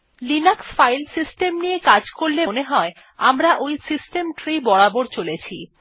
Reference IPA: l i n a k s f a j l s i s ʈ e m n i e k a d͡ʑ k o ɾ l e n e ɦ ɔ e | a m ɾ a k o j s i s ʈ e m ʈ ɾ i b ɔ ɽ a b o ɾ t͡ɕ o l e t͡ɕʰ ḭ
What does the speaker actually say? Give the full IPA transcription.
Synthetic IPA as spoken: l i n a k s f a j l s i s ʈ e m n i e k a d͡ʑ k o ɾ l e n e ɦ ɔ e | a m ɾ a ʔ o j s i s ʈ e m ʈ ɾ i b ɔ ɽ a b o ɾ t͡ɕ o l e t͡ɕʰ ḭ